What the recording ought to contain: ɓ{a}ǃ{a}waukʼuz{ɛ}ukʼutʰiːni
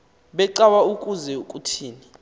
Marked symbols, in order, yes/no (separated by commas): no, yes, yes